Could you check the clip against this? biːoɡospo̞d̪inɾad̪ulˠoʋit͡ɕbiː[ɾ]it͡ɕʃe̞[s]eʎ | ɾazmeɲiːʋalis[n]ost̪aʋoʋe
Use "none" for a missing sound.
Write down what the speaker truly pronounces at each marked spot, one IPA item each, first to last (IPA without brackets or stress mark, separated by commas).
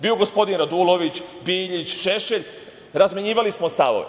ʎ, ʃ, m